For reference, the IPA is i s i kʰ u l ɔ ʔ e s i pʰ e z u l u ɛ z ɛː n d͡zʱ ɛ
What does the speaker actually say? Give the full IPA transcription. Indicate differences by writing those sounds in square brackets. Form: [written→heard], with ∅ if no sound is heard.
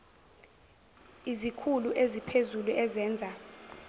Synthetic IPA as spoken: i [s→z] i kʰ u l [ɔ→u] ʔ e [s→z] i pʰ e z u l u ɛ z ɛː n d͡zʱ [ɛ→a]

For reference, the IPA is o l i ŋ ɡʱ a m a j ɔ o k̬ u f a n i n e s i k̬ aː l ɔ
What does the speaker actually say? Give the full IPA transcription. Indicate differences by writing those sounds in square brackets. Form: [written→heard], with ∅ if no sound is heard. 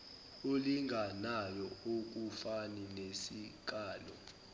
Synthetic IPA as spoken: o l i ŋ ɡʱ a [m→n] a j ɔ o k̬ u f a n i n e s i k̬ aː l ɔ

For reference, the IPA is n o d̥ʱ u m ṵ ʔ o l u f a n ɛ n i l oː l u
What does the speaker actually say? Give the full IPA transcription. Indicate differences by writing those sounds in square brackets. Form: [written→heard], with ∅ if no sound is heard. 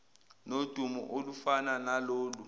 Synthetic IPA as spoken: n o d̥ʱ u m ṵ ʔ o l u f a n [ɛ→a] n [i→a] l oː l u

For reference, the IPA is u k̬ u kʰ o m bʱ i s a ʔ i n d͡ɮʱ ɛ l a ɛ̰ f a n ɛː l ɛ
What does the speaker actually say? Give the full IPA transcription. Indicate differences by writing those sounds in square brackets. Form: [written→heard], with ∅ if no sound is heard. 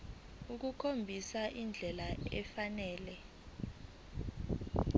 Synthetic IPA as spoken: u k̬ u kʰ o m bʱ i s a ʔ i n d͡ɮʱ ɛ l a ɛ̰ f a n ɛː l ɛ

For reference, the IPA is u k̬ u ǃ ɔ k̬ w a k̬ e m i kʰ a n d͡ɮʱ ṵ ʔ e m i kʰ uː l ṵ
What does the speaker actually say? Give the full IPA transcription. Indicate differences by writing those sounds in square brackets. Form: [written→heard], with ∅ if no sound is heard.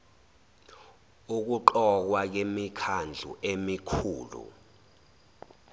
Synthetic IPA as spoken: u k̬ u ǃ ɔ k̬ w a k̬ e m i kʰ a n d͡ɮʱ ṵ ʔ e m i kʰ uː l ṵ

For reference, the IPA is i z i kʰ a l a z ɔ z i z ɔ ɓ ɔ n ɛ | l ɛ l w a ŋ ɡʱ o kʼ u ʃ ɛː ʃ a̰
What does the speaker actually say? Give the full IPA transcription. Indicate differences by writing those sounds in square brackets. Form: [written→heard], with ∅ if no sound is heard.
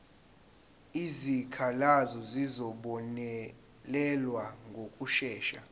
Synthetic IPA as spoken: i z i kʰ a l a z ɔ z i z ɔ ɓ ɔ n ɛ | l ɛ l w a ŋ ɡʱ o kʼ u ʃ ɛː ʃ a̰

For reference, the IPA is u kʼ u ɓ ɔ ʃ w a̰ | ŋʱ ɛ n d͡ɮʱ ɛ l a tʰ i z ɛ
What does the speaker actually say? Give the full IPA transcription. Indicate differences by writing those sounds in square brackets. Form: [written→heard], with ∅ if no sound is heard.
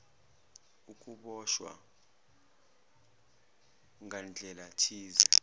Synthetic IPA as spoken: u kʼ u ɓ ɔ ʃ w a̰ | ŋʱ [ɛ→a] n d͡ɮʱ ɛ l a tʰ [i→iː] z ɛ

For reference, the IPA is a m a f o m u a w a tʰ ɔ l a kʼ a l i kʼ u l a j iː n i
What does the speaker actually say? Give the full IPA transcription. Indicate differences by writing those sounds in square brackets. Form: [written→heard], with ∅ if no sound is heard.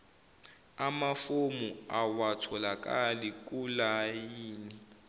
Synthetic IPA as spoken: a m a f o m u a w a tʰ ɔ l a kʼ a l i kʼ u l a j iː n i

